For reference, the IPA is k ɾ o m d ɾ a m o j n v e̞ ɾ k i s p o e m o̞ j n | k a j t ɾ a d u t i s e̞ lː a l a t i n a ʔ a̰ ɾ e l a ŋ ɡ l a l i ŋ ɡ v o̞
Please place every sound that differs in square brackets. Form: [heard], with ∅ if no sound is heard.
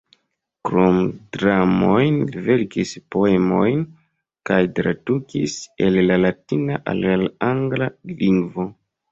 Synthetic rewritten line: k ɾ o m d ɾ a m o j n v e̞ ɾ k i s p o e m o̞ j n | k a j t ɾ a d u [k] i s e̞ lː a l a t i n a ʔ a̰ [l] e l a ŋ ɡ l a l i ŋ ɡ v o̞